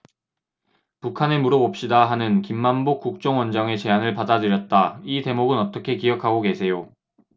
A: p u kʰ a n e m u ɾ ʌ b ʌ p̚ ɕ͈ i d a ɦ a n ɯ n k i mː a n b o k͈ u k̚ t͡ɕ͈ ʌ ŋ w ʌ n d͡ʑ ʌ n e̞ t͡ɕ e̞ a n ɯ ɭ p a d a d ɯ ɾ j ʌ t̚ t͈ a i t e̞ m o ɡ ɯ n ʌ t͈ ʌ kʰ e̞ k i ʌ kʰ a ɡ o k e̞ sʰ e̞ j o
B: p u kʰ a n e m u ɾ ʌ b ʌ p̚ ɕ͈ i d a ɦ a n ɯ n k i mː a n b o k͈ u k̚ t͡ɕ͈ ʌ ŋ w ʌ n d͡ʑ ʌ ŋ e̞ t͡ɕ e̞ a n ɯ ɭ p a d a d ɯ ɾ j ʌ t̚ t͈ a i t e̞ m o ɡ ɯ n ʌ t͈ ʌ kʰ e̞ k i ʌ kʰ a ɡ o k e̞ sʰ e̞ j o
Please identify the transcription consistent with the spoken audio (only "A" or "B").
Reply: B